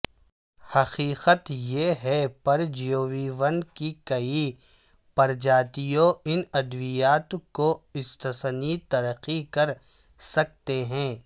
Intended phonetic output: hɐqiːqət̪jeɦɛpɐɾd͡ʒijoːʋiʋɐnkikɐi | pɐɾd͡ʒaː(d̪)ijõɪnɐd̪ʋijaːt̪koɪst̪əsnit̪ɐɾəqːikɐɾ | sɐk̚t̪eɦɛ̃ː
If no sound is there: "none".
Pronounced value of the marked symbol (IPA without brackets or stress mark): t̪